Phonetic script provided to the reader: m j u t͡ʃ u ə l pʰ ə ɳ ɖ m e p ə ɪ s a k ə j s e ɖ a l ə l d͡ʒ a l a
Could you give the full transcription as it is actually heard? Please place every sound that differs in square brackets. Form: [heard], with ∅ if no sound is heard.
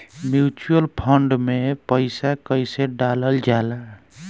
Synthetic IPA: m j u t͡ʃ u ə l pʰ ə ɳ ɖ m e p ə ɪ s a k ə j s e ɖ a l ə l d͡ʒ a l a